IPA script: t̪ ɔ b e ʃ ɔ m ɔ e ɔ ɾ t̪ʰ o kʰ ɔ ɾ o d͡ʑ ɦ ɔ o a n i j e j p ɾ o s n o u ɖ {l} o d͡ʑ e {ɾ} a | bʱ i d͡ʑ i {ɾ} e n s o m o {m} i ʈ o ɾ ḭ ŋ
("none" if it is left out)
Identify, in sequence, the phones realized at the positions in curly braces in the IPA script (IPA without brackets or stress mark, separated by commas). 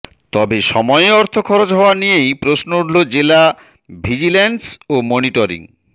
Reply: l, l, l, n